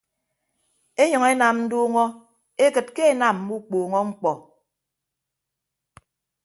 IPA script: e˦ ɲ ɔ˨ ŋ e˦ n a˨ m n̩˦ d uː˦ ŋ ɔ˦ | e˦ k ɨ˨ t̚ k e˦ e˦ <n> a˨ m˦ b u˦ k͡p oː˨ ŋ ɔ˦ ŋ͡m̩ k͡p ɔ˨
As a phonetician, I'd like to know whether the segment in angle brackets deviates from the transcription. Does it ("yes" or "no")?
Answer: no